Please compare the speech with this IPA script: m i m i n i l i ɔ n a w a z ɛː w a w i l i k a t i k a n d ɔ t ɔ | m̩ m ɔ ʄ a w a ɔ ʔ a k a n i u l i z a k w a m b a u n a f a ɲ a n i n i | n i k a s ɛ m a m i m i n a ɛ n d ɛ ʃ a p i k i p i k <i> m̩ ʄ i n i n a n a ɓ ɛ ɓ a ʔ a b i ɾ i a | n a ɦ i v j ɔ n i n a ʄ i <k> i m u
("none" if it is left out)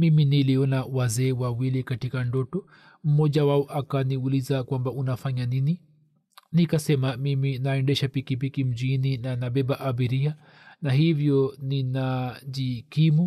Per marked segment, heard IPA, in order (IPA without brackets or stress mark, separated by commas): i, k